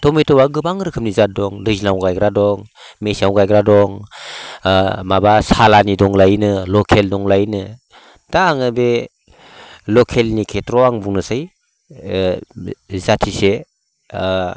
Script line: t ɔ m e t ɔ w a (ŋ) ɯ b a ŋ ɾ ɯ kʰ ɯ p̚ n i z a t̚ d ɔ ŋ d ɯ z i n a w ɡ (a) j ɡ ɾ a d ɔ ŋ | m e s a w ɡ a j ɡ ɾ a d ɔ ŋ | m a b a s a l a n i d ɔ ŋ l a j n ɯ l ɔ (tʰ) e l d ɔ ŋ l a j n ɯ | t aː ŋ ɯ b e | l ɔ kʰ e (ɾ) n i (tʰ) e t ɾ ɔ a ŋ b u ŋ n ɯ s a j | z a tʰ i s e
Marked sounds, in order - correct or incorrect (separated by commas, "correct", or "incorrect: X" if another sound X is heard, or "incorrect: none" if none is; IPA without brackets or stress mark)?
incorrect: ɡ, correct, incorrect: kʰ, incorrect: l, incorrect: kʰ